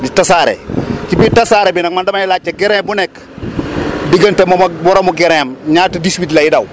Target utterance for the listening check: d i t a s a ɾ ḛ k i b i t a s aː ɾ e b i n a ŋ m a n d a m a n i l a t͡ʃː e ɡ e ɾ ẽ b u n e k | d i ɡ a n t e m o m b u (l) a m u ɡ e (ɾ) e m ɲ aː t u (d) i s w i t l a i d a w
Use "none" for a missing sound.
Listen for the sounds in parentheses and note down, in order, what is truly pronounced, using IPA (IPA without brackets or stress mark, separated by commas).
ɾ, ɾ, d